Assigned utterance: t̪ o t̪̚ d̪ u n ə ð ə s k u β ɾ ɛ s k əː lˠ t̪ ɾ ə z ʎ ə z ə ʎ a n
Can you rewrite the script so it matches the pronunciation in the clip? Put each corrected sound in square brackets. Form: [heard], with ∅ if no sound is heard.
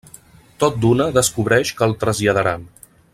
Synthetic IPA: t̪ o t̪̚ d̪ u n ə ð ə s k u β ɾ ɛ [ʃ] k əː lˠ t̪ ɾ ə z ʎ ə [ð] ə [ɾ] a n